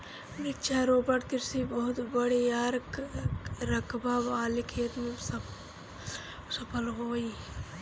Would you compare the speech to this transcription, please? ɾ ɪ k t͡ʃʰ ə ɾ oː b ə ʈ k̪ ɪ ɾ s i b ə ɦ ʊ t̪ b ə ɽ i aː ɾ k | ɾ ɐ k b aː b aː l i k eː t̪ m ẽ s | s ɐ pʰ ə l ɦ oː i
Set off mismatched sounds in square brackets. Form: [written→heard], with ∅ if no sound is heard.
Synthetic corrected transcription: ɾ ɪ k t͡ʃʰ [ə→a] ɾ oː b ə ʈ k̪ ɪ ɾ s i b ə ɦ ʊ t̪ b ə ɽ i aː ɾ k | ɾ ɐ k b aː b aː l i [k→kʰ] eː t̪ m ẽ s | s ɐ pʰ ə l ɦ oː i